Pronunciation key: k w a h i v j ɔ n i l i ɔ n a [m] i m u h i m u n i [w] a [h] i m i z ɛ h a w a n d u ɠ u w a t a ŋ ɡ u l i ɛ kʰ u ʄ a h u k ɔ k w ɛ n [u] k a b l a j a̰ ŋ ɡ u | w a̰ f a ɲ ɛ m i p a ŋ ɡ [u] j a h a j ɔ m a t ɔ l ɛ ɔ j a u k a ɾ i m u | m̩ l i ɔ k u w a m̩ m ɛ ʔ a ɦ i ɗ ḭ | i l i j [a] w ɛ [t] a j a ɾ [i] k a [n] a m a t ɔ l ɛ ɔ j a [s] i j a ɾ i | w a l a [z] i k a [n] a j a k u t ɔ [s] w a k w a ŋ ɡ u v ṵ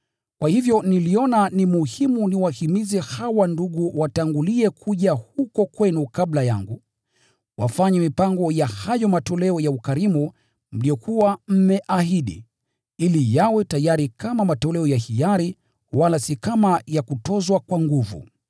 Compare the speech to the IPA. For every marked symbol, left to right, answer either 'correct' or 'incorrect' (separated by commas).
incorrect, correct, correct, correct, incorrect, correct, correct, correct, incorrect, incorrect, incorrect, incorrect, incorrect